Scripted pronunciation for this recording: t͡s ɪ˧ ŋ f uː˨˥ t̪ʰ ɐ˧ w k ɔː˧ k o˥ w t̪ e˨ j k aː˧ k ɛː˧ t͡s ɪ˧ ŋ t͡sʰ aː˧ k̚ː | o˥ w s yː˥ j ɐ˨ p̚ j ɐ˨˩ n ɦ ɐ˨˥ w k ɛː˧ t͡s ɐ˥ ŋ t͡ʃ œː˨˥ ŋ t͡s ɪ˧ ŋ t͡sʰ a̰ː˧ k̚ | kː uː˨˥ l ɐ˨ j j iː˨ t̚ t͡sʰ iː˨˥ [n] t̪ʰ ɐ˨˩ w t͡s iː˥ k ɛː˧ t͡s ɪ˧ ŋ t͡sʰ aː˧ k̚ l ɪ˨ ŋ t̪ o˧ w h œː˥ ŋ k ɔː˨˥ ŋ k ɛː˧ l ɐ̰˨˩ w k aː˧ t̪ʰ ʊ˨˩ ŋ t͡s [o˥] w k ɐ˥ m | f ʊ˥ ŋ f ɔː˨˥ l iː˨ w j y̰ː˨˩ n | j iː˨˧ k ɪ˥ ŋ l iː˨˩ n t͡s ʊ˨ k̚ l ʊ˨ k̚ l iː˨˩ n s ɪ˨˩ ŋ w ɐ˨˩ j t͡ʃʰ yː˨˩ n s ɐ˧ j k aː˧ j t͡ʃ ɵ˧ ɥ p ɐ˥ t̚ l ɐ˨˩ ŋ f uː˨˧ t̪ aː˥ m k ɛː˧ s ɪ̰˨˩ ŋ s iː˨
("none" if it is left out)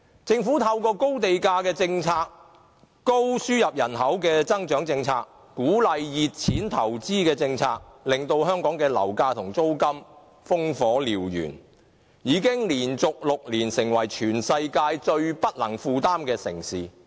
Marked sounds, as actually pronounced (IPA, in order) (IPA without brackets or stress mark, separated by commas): n, o˥